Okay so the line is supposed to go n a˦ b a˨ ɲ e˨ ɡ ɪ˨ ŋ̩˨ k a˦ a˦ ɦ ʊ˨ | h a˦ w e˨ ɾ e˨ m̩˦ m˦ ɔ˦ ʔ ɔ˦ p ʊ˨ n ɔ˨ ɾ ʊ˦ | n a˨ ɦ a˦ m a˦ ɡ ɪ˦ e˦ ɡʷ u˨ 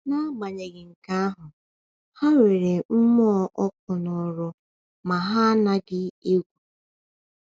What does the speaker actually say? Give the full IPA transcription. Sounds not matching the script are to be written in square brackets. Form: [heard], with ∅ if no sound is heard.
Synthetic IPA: n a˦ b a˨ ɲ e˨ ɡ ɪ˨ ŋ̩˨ k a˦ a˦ ɦ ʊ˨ | h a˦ w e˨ ɾ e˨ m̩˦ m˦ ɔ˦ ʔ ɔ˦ [k] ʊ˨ n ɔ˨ ɾ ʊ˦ | [m] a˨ ɦ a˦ [n] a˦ ɡ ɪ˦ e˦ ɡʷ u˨

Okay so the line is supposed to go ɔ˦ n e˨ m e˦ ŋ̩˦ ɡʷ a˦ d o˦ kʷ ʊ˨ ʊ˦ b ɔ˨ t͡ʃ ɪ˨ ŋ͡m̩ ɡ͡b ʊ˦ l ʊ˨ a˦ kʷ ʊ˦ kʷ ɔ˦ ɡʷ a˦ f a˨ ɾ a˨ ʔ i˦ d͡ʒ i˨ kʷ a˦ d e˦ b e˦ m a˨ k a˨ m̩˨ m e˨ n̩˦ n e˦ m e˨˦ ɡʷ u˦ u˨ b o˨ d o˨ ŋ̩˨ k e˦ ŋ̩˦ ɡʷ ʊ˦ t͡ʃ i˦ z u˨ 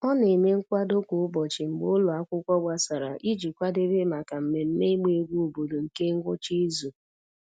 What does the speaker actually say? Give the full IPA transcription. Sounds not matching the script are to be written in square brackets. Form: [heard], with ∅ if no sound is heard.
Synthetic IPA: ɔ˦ n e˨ m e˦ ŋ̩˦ [kʷ] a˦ d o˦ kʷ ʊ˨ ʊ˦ b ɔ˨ t͡ʃ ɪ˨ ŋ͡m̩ ɡ͡b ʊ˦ l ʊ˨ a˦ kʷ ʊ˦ kʷ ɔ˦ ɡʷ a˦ [s] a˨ ɾ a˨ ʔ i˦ d͡ʒ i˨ kʷ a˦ d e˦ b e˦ m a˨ k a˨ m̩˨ m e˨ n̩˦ n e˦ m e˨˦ ɡʷ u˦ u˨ b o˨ d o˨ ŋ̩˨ k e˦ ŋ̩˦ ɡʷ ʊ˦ t͡ʃ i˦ z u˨

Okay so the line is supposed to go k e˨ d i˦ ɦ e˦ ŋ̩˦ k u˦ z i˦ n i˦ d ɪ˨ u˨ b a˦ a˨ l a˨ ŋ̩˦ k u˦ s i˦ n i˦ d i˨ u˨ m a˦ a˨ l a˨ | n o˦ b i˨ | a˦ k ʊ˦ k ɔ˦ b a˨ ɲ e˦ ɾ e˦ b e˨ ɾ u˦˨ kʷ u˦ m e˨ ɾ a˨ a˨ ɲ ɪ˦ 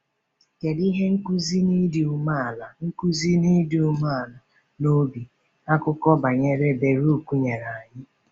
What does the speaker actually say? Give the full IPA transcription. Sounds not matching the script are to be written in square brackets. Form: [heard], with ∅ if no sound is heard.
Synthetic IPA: k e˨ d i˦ ɦ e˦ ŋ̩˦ k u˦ z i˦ n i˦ d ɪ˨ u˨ [m] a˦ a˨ l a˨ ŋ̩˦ k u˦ [z] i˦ n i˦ d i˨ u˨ m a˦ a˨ l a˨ | n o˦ b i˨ | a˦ k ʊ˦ k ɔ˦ b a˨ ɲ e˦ ɾ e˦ b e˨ ɾ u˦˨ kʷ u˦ [ɲ] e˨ ɾ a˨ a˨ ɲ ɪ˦

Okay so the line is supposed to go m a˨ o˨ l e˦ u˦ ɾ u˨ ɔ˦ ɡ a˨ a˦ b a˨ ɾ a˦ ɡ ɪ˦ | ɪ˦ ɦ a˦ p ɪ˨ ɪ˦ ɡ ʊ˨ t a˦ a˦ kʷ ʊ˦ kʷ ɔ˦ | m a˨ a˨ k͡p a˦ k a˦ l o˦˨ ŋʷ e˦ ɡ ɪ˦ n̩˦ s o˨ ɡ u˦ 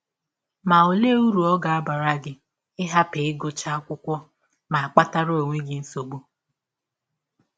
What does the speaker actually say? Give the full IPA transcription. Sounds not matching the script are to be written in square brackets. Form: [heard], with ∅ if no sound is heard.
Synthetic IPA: m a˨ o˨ l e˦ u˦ ɾ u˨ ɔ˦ ɡ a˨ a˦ b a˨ ɾ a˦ ɡ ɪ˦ | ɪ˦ ɦ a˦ p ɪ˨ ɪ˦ ɡ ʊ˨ [t͡ʃ] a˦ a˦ kʷ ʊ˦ kʷ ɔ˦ | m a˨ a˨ k͡p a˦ [t] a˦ [ɾ] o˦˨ ŋʷ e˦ ɡ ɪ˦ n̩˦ s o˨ [ɡ͡b] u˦

